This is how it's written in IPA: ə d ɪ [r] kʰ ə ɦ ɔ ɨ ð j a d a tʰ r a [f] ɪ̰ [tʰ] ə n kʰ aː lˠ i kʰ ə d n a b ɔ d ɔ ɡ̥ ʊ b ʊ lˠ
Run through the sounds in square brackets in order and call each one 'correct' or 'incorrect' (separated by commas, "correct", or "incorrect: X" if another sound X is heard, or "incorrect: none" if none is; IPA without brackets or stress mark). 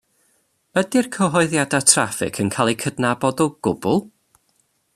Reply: correct, correct, incorrect: kʰ